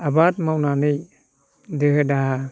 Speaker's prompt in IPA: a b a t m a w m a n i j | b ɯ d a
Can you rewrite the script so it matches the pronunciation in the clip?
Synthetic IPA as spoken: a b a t m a w n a n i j | d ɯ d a